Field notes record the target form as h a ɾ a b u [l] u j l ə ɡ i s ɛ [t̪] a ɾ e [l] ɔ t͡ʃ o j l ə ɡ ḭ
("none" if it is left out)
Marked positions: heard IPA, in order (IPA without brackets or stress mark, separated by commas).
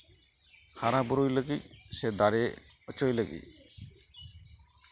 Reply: ɾ, d̪, none